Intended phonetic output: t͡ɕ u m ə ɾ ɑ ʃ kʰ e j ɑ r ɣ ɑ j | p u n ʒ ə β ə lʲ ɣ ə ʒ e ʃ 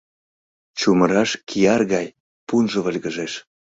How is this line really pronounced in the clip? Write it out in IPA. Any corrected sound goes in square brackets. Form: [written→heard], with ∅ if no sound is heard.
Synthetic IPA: t͡ɕ u m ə ɾ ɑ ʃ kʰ [e→i] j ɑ r ɣ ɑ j | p u n ʒ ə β ə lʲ ɣ ə ʒ e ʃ